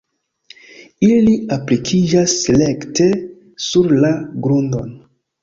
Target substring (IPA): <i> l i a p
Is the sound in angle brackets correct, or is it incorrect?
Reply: correct